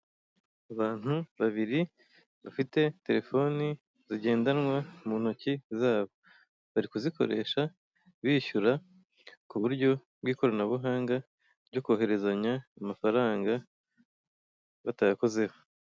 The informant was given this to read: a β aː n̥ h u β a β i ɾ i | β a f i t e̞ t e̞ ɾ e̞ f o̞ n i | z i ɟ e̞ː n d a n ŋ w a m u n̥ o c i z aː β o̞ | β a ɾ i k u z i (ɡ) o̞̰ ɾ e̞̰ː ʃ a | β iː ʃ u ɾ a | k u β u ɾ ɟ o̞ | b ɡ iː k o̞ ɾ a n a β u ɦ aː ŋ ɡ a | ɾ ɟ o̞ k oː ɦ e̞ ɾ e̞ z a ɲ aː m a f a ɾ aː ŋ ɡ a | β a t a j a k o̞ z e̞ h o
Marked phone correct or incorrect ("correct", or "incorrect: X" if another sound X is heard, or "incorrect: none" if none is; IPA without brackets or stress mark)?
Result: incorrect: k